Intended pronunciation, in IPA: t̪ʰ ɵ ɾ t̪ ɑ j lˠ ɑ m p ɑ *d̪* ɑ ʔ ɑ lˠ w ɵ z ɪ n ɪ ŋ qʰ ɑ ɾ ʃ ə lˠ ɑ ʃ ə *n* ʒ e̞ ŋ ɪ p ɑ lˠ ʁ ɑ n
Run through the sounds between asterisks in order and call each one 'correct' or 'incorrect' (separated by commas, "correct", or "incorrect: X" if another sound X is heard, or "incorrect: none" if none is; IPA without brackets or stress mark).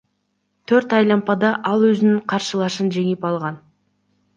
correct, correct